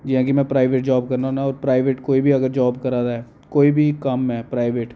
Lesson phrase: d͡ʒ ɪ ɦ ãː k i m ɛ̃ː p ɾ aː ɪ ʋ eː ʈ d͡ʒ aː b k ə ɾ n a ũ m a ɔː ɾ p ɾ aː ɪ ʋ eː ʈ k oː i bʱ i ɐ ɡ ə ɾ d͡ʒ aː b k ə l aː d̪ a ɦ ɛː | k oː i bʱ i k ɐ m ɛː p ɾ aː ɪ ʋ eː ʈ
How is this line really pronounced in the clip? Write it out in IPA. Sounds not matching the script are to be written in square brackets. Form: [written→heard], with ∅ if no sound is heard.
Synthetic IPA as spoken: d͡ʒ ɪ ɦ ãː k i m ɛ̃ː p ɾ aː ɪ ʋ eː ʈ d͡ʒ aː b k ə ɾ n a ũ [m→n] a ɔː ɾ p ɾ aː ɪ ʋ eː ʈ k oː i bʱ i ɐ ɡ ə ɾ d͡ʒ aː b k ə [l→ɾ] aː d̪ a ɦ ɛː | k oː i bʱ i k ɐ m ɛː p ɾ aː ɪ ʋ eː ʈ